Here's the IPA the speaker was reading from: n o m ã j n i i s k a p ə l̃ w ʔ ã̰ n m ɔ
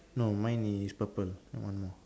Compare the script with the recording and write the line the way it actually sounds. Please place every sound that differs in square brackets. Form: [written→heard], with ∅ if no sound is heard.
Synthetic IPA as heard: n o m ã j n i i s [k→p] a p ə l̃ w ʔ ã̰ n m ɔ